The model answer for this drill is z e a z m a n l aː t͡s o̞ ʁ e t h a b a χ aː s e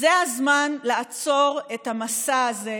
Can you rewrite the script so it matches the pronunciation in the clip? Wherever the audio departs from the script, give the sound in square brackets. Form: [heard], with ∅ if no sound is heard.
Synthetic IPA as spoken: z e a z m a n l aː t͡s o̞ ʁ e t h a [m] a [s] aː [z] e